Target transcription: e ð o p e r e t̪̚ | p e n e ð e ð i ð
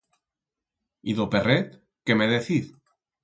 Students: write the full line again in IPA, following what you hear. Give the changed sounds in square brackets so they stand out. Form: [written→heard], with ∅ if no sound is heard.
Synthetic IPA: [e→i] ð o p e r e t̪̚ | [p→k] e [n→m] e ð e [ð→θ] i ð